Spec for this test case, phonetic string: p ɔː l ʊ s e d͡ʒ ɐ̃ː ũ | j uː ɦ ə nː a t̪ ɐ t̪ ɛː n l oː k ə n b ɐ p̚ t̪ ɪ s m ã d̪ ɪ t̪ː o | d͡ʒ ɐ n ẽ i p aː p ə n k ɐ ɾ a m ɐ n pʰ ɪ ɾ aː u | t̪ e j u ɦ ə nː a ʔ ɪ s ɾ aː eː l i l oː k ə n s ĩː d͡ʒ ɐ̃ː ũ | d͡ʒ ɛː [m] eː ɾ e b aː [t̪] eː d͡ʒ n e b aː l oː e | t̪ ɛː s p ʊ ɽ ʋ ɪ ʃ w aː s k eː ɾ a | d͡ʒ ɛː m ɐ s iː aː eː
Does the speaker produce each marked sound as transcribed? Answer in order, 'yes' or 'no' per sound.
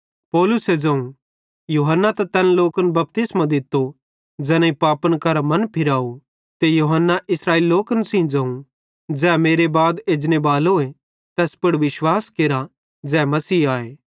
yes, no

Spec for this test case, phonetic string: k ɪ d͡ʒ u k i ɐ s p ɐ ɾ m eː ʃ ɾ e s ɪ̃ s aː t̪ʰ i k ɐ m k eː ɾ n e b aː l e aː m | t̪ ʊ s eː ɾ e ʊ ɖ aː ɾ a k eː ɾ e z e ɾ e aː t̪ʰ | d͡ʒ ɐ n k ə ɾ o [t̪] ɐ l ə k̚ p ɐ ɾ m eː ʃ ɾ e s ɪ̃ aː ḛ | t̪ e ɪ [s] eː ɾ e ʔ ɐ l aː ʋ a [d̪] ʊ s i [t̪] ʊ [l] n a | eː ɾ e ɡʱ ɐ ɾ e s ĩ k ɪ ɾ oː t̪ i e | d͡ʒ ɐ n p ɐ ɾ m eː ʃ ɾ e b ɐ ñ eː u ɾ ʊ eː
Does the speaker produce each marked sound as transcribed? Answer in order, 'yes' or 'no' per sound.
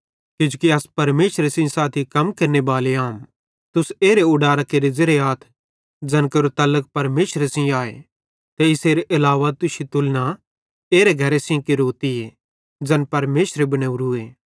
yes, yes, no, yes, yes

